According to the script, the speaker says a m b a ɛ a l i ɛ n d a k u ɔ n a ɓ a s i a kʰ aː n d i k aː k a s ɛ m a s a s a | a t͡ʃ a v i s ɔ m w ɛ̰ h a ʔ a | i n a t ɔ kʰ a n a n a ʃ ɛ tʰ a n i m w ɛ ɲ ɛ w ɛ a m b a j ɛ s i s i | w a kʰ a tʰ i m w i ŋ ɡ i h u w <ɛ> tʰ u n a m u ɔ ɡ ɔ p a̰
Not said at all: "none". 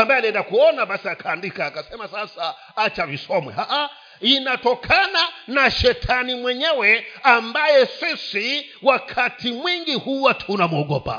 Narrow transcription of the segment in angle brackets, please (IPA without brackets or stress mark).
a